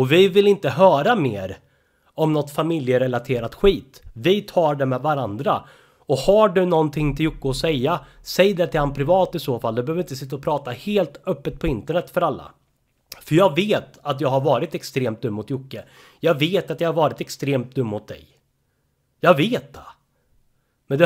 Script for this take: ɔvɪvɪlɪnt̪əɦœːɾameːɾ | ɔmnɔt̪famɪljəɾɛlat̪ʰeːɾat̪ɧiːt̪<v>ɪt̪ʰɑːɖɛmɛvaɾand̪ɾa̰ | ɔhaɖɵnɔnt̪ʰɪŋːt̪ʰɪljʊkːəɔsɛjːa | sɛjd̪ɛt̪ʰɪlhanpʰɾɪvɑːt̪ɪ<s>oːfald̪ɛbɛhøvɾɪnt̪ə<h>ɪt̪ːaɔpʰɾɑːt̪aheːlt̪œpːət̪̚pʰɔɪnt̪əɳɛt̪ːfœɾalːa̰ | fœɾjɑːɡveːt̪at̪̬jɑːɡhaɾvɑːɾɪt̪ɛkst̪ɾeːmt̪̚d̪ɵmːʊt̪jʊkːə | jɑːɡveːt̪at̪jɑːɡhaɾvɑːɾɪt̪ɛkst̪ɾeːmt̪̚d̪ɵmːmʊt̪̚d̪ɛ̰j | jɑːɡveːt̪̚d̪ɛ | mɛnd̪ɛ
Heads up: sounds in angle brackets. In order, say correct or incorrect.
correct, correct, incorrect: s

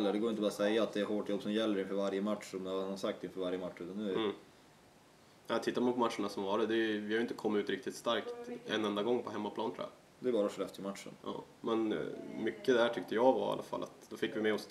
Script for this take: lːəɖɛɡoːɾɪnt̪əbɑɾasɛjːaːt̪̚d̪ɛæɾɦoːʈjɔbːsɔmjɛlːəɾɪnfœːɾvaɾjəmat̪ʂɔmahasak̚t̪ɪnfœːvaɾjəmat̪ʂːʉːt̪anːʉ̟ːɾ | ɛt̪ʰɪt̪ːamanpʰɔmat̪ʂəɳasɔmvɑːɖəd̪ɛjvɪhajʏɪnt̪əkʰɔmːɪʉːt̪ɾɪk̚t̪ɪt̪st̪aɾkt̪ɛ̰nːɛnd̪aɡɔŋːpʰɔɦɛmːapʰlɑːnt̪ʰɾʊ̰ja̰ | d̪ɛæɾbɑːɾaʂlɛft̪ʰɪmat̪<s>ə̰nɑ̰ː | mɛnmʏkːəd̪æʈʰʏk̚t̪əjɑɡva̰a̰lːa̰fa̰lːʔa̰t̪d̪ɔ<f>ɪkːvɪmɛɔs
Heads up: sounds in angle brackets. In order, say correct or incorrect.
incorrect: ʂ, correct

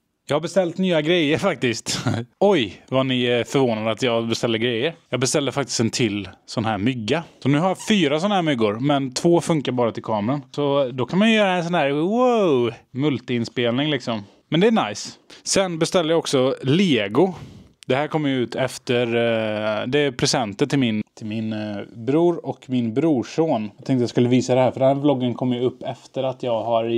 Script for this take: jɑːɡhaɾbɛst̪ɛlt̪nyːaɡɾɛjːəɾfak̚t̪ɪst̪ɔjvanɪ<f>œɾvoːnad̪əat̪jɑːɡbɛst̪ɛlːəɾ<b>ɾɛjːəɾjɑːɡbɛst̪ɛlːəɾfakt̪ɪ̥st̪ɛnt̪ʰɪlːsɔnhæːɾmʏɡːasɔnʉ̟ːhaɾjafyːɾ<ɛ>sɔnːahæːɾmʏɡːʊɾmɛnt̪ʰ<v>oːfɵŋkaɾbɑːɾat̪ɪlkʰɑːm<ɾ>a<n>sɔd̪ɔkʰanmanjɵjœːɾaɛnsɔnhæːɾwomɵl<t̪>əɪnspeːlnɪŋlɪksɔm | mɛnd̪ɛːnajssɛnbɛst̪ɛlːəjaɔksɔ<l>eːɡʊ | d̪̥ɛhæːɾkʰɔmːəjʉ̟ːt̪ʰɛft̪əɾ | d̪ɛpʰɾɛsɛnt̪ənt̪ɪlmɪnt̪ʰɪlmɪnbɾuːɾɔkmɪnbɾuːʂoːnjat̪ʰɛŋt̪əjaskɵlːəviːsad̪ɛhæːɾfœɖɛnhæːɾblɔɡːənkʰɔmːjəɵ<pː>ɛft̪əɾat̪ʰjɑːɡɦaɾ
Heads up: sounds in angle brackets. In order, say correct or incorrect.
correct, incorrect: ɡ, incorrect: a, correct, correct, correct, correct, correct, correct

